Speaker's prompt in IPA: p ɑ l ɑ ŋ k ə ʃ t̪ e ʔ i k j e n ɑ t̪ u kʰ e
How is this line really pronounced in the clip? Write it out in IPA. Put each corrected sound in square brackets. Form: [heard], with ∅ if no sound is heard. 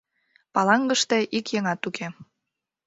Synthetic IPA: p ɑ l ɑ ŋ [ɡ] ə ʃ t̪ e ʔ i k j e [ŋ] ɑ t̪ u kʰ e